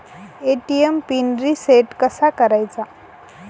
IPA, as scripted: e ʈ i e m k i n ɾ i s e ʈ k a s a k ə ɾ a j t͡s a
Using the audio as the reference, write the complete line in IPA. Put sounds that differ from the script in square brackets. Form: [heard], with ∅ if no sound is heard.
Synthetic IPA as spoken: e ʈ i e m [p] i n ɾ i s e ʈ k [ə] s a k ə ɾ a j t͡s a